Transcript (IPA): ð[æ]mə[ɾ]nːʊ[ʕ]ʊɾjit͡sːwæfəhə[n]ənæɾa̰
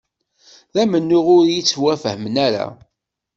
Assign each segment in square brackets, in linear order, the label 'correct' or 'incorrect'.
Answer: correct, incorrect: none, incorrect: ʁ, incorrect: m

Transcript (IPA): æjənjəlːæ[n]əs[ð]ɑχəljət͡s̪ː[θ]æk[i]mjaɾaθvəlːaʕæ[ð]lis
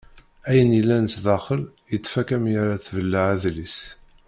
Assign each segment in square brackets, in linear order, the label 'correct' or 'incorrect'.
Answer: correct, correct, incorrect: f, incorrect: æ, correct

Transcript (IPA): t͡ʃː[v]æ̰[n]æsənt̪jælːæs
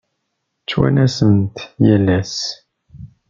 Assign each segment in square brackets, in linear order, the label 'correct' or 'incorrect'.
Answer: incorrect: w, correct

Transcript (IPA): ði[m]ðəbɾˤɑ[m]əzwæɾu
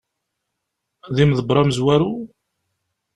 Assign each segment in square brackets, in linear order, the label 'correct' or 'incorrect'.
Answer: correct, correct

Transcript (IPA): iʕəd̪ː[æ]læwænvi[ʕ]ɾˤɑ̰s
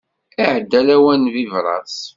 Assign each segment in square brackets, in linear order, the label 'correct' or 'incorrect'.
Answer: correct, incorrect: v

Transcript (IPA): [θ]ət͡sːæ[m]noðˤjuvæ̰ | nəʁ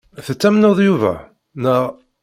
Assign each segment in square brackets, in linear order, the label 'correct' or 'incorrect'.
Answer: correct, correct

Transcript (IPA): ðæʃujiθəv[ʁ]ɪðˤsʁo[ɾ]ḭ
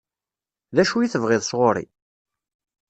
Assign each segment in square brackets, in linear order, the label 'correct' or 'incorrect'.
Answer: correct, correct

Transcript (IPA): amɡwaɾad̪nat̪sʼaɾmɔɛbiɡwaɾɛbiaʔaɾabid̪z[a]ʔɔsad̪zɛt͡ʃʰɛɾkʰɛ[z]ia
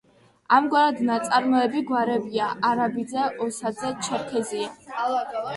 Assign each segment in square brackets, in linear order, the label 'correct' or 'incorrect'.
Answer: incorrect: ɛ, correct

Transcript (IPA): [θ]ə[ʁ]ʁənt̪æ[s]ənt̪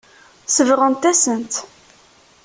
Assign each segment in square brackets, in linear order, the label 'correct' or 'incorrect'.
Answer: incorrect: s, incorrect: v, correct

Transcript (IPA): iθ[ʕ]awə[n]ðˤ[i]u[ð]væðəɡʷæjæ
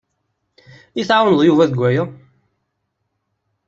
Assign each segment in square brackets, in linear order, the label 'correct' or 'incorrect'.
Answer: correct, correct, incorrect: j, incorrect: none

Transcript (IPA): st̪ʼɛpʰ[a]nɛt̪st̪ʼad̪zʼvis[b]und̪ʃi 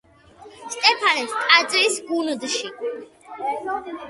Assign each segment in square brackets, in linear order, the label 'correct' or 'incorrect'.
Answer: correct, incorrect: ɡ

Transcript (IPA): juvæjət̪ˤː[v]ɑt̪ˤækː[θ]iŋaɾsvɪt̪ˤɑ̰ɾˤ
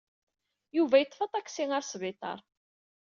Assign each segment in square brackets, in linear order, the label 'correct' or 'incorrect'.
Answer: incorrect: f, incorrect: s

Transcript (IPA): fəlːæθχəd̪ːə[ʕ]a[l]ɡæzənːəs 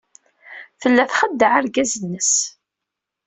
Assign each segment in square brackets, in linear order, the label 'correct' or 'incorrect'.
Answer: correct, incorrect: ɾ

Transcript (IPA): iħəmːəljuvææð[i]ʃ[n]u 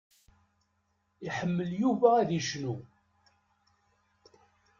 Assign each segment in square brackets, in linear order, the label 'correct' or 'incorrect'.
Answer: correct, correct

